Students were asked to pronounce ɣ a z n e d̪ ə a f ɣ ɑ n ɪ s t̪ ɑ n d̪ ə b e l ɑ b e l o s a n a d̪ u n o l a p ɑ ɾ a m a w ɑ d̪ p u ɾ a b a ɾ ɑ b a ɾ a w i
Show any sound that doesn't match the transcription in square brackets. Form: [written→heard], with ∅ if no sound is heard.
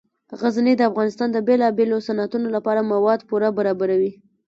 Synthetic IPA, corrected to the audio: ɣ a z n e d̪ ə a f ɣ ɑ n ɪ s t̪ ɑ n d̪ ə b e l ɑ b e l o s a n a [d̪→t̪] u n o l a p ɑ ɾ a m a w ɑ d̪ p u ɾ a b a ɾ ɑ b a ɾ a w i